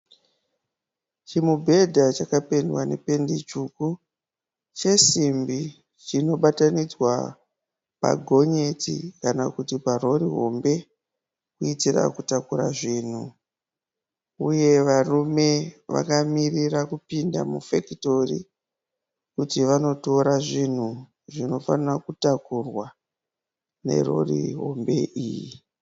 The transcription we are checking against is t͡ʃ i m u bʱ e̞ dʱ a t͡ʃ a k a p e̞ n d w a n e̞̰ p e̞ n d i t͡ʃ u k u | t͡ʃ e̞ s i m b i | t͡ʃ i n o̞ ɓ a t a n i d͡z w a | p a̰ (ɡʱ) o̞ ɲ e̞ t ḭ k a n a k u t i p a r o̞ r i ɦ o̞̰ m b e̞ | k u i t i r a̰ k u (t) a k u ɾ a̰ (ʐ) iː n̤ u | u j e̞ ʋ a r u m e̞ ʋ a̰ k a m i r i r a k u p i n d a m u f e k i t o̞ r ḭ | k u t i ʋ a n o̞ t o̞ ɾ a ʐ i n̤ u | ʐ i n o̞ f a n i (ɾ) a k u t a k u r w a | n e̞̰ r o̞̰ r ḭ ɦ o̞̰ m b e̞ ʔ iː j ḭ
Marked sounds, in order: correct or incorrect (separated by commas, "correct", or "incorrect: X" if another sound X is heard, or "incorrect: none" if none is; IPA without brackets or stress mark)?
correct, correct, correct, incorrect: r